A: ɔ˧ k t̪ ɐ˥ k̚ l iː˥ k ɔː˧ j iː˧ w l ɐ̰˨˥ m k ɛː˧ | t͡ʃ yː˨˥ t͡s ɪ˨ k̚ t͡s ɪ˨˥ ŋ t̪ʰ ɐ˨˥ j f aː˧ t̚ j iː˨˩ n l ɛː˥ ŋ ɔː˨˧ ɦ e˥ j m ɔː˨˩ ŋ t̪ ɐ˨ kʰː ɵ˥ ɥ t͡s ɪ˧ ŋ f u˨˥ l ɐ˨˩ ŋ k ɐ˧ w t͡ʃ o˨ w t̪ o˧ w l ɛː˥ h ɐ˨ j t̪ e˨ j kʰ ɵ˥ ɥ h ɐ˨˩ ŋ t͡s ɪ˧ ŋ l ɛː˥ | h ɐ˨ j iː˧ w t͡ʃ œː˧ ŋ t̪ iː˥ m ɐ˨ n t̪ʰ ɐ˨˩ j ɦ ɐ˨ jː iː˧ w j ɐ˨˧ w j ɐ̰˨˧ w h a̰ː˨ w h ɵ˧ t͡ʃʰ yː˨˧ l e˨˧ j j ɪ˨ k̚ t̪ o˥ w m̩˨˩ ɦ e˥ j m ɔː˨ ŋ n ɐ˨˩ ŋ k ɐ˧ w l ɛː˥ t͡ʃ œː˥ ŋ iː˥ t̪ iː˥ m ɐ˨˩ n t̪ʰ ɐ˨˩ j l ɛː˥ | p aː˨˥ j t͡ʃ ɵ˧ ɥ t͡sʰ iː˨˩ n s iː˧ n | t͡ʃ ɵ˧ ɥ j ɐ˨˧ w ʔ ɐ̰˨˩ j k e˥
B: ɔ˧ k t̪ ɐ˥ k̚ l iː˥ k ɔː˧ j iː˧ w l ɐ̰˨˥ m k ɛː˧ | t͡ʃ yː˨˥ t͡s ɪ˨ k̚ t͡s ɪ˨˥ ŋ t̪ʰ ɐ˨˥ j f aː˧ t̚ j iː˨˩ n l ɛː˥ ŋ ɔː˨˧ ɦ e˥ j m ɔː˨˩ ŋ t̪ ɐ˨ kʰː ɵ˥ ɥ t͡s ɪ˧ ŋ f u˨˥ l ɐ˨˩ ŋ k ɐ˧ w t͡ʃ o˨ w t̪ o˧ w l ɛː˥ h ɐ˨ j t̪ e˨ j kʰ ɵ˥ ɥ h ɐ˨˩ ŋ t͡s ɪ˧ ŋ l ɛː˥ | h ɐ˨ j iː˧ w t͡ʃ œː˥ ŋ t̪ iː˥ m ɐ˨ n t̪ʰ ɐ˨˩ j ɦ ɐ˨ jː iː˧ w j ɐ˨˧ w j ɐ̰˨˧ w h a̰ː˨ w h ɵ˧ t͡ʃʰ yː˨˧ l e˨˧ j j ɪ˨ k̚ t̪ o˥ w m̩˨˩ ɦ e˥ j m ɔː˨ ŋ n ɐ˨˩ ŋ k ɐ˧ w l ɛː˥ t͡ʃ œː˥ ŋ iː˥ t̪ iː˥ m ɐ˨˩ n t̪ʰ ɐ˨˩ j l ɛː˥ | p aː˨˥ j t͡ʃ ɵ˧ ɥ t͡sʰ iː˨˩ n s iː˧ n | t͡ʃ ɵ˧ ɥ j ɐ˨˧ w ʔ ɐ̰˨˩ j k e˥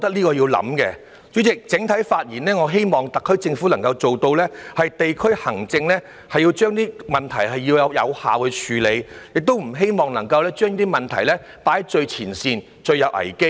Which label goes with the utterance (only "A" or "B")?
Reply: B